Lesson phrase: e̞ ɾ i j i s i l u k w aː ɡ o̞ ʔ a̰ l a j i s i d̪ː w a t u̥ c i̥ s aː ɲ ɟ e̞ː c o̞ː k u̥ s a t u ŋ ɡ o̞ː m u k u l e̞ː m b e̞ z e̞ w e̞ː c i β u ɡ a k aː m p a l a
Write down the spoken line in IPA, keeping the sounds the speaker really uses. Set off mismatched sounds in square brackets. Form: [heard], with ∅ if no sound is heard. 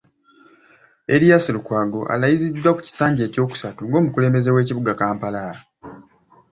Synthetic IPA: e̞ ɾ i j [a] s i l u k w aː ɡ o̞ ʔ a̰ l a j i [z] i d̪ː w a [k] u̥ c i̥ s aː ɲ ɟ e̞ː c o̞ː k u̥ s a t u ŋ ɡ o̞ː m u k u l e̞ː m b e̞ z e̞ w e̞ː c i β u ɡ a k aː m p a l a